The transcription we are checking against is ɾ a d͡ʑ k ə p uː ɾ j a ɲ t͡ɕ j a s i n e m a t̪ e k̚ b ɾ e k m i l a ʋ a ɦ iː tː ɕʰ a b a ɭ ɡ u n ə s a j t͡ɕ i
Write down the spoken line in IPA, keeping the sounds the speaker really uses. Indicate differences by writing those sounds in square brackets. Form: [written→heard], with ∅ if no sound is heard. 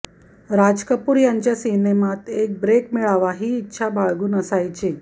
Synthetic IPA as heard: ɾ a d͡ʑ k ə p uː ɾ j a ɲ t͡ɕ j a s i n e m a t̪ e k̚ b ɾ e k m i [l→ɭ] a ʋ a ɦ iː tː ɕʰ a b a ɭ ɡ [u→uː] n ə s a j t͡ɕ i